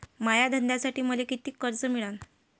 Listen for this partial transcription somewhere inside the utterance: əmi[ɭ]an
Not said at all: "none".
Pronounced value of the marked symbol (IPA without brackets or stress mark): ɭ